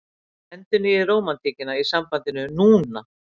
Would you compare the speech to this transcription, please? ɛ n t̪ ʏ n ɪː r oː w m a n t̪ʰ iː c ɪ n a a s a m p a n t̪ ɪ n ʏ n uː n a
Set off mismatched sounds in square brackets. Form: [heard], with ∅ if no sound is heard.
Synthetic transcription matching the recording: ɛ n t̪ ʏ n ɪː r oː w m a n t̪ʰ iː c ɪ n a [i] s a m p a n t̪ ɪ n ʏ n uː n a